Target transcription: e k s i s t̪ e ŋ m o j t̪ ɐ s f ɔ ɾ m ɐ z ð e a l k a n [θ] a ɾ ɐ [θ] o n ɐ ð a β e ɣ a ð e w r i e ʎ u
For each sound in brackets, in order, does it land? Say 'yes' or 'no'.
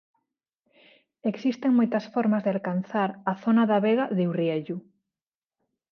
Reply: yes, yes

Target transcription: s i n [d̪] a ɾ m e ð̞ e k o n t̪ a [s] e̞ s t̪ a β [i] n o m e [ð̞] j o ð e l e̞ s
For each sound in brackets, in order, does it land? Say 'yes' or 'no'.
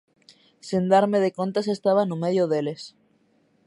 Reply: yes, yes, no, yes

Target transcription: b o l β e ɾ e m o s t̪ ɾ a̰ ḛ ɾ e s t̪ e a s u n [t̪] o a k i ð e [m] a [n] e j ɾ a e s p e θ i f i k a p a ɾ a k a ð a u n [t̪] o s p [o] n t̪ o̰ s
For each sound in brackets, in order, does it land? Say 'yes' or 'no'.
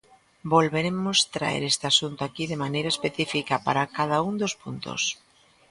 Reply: yes, yes, yes, no, no

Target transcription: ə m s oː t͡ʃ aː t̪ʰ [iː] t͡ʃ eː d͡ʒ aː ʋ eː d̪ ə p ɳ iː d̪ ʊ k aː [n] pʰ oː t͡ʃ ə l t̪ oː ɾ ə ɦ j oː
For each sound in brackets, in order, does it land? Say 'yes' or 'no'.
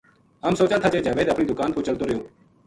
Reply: no, yes

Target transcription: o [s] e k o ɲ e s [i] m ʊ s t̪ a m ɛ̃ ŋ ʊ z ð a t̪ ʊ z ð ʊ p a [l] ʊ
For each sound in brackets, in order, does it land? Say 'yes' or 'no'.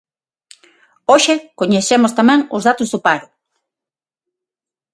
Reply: no, no, no

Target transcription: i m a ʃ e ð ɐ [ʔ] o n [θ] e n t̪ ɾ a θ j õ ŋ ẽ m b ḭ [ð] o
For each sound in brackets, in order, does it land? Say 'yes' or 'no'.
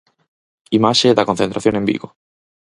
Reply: no, yes, no

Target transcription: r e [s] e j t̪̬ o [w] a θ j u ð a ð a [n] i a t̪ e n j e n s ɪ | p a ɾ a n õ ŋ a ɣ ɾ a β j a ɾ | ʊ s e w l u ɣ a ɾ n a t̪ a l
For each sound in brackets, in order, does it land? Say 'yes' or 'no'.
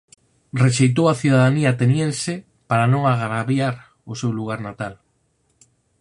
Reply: no, yes, yes

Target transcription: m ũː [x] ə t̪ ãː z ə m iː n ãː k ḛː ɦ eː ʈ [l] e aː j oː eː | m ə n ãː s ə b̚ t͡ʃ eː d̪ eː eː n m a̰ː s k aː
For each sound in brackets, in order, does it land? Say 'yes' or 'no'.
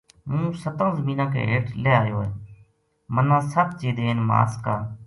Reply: no, yes

